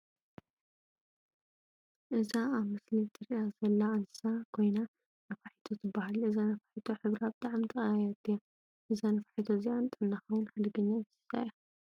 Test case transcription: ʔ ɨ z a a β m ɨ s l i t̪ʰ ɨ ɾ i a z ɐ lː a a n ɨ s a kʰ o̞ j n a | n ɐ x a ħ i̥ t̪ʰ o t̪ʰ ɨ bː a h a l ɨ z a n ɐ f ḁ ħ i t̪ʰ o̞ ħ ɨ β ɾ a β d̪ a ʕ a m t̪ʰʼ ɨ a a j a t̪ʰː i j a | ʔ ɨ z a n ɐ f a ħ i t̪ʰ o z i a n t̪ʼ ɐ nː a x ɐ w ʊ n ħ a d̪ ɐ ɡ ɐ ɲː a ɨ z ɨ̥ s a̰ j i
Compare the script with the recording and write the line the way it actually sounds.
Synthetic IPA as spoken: ʔ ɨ z a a β m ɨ s l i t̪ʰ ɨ ɾ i a z ɐ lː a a n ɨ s a kʰ o̞ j n a | n ɐ f a ħ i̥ t̪ʰ o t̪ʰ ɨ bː a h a l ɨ z a n ɐ f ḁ ħ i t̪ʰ o̞ ħ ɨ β ɾ a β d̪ a ʕ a m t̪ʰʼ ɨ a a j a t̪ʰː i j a | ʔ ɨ z a n ɐ f a ħ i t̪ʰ o z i a n t̪ʼ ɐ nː a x ɐ w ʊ n ħ a d̪ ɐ ɡ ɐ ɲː a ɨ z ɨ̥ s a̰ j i